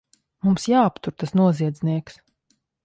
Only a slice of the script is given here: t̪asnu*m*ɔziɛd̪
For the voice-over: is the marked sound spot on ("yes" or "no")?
no